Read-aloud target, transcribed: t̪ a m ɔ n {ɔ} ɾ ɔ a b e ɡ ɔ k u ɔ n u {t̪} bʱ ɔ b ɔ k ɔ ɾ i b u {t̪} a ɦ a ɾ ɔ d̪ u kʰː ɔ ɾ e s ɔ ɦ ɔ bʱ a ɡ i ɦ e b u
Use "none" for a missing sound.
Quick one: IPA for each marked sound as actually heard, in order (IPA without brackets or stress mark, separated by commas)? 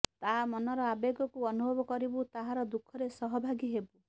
ɔ, none, t̪